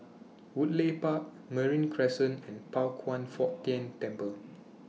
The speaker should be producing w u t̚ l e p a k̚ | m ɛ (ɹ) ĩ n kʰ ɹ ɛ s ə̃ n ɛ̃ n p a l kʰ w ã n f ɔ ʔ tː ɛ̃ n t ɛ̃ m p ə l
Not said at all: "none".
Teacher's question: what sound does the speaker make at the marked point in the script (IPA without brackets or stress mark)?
ɹ